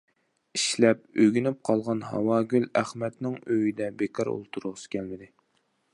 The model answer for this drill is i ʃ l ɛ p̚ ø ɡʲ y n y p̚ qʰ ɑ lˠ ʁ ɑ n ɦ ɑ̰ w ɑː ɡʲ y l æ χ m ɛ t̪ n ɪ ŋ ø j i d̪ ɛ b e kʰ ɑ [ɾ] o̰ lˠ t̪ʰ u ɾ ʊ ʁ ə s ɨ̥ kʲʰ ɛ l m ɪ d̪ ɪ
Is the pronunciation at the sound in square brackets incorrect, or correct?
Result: correct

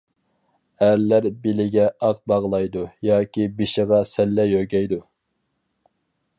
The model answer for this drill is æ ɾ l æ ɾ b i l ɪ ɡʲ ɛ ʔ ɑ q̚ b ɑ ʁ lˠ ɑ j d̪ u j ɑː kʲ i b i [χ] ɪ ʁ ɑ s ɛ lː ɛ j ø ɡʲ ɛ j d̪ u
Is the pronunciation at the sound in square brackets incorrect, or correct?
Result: incorrect: ʃ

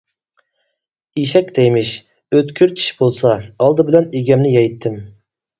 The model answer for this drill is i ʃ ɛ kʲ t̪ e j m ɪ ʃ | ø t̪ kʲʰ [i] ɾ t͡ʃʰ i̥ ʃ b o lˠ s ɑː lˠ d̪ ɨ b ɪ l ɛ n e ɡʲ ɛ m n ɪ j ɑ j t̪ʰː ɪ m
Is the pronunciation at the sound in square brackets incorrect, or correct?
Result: incorrect: y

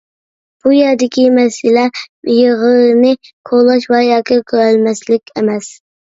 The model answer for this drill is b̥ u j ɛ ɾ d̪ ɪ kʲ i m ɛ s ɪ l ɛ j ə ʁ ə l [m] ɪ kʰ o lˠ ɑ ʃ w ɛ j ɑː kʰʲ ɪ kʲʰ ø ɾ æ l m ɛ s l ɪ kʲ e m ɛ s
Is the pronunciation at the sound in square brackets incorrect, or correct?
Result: incorrect: n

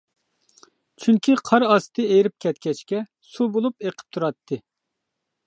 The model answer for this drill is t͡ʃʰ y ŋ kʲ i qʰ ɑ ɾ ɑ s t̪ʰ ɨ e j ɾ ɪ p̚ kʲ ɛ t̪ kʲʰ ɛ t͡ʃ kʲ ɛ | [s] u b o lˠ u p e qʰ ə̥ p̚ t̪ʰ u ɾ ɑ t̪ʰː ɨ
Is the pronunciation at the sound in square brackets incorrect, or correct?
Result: correct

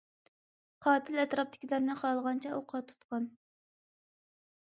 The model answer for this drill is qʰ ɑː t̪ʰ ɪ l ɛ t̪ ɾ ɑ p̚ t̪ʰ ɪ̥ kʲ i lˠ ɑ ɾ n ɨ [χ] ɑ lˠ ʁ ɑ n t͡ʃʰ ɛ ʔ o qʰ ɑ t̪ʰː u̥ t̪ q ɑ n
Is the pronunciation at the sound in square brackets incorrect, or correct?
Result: correct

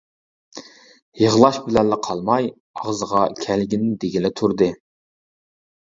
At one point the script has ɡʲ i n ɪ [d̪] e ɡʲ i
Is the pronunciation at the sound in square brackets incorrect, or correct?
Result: correct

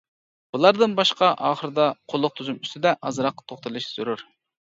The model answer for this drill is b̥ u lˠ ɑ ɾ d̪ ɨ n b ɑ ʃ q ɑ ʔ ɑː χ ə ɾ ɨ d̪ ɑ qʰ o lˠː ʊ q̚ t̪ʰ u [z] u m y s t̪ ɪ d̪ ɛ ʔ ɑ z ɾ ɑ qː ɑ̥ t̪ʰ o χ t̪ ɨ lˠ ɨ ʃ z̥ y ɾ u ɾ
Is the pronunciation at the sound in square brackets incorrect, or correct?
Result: correct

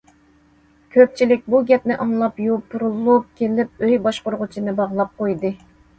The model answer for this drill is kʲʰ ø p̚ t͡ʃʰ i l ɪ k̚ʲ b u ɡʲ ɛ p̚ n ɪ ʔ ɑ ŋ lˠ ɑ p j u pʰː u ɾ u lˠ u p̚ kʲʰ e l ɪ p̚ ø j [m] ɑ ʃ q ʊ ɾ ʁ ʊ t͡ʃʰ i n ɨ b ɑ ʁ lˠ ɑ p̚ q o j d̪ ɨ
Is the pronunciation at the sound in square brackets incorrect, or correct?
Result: incorrect: b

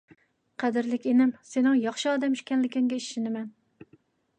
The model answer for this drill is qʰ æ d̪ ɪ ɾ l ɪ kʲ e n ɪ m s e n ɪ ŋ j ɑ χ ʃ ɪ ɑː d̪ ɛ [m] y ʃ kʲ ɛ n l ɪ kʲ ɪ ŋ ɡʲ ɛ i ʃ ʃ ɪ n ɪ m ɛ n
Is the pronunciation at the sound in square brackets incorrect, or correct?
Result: correct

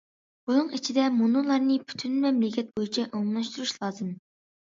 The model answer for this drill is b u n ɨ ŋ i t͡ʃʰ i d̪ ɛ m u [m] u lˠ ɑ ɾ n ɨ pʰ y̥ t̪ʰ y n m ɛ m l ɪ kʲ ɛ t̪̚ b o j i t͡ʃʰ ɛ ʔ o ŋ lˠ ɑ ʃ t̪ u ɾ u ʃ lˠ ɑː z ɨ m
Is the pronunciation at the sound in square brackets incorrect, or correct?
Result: incorrect: n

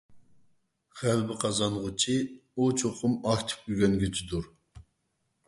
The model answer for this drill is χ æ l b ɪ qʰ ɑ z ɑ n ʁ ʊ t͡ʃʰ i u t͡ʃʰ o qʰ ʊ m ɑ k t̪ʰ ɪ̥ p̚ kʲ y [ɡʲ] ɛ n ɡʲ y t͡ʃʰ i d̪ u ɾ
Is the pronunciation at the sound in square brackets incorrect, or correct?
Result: correct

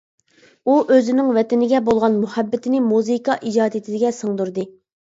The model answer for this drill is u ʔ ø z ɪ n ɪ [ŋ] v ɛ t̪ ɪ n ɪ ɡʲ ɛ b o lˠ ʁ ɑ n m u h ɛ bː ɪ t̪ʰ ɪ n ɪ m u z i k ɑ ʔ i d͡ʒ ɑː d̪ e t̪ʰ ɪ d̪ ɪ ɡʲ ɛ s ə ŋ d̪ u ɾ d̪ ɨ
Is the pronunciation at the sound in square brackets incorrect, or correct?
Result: correct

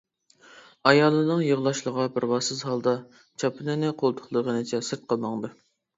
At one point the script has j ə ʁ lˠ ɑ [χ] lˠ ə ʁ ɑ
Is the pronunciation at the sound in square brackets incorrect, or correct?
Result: incorrect: ʃ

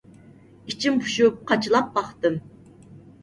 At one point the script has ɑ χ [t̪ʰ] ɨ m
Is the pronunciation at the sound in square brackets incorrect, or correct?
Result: incorrect: t̪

